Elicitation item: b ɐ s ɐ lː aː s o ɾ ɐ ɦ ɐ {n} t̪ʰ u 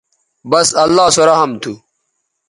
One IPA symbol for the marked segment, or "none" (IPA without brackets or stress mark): m